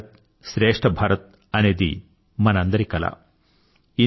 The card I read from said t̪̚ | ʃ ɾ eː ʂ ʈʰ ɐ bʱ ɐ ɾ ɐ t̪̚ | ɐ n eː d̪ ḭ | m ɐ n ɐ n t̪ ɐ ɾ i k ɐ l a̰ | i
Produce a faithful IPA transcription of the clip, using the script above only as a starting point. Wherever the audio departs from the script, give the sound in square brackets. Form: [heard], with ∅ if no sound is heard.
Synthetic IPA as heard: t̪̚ | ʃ ɾ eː ʂ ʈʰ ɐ bʱ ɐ ɾ ɐ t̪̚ | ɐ n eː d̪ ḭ | m ɐ n ɐ n [d̪] ɐ ɾ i k ɐ l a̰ | i